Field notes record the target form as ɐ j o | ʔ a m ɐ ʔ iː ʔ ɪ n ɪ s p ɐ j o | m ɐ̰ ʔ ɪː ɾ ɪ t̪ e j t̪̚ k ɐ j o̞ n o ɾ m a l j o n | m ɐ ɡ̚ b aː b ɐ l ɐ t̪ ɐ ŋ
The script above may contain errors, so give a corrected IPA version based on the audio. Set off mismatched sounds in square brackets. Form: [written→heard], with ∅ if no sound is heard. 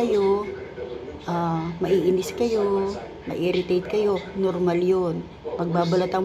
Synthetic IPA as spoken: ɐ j o | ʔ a m ɐ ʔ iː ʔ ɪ n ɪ s [p→k] ɐ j o | m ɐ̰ ʔ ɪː ɾ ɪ t̪ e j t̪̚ k ɐ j o̞ n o ɾ m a l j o n | m ɐ ɡ̚ b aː b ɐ l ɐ t̪ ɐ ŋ